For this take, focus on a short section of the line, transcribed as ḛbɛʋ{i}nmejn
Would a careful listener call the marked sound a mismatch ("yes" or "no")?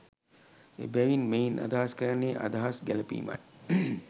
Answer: no